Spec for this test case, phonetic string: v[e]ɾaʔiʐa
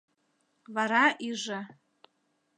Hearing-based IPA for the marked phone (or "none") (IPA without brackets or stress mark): a